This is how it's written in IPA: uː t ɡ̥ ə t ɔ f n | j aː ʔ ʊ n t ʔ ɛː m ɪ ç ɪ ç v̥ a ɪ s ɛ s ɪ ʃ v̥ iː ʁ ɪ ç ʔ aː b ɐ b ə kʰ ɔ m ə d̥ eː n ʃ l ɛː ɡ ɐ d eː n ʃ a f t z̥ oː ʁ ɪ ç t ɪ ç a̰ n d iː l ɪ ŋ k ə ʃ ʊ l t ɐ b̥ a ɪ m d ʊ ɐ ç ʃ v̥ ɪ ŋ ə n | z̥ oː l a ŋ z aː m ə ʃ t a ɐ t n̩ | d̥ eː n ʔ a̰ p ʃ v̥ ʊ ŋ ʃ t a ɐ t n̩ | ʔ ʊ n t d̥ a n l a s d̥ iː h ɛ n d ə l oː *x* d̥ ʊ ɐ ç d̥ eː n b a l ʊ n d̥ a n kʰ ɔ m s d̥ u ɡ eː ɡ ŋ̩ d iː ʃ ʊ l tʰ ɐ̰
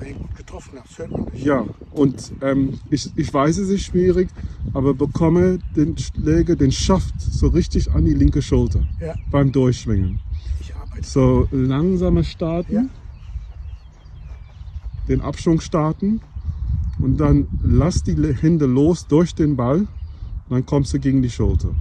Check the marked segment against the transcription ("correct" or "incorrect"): incorrect